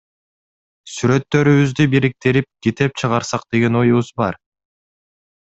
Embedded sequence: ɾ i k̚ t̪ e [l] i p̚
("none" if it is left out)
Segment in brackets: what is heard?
ɾ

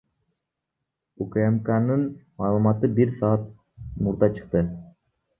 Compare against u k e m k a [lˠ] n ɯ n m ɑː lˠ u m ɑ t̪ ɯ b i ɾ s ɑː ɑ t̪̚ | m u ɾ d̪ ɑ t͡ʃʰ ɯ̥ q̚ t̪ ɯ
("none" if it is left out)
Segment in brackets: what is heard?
none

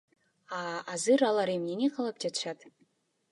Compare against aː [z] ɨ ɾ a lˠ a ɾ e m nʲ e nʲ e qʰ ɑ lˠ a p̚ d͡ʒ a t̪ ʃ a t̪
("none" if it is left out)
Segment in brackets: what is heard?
z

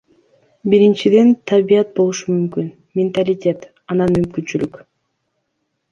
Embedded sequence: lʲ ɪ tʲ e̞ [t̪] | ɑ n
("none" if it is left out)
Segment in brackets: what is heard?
t̪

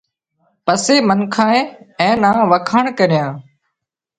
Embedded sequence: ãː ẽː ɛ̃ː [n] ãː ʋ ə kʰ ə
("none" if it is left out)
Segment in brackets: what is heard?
n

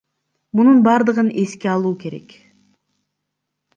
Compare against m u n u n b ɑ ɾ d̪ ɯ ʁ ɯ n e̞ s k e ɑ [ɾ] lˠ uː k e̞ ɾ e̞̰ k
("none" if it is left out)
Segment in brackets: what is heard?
none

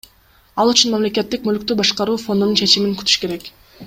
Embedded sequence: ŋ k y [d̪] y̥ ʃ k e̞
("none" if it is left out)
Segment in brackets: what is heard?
t̪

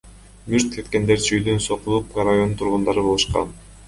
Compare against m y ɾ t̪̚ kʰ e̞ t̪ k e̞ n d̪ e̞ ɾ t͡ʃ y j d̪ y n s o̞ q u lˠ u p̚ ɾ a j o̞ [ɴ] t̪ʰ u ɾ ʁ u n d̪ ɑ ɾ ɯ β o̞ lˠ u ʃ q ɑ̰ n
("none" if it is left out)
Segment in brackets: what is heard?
n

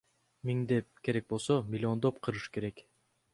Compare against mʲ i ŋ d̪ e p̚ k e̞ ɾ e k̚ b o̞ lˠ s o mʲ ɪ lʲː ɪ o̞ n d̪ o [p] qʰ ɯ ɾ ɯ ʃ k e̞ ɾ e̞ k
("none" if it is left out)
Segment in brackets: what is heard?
p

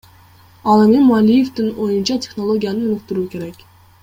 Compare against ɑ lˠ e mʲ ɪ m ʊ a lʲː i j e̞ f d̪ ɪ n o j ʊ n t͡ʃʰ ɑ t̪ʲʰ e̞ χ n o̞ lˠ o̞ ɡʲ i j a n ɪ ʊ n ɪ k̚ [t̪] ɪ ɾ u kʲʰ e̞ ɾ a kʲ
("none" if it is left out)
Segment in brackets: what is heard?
t̪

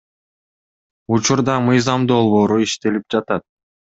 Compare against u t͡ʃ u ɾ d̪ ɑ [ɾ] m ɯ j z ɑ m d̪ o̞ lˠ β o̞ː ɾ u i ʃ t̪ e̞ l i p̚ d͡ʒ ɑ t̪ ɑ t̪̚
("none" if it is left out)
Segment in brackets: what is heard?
none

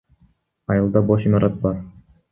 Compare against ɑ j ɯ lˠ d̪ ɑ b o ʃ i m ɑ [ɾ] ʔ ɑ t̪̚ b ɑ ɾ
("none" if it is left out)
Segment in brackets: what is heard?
ɾ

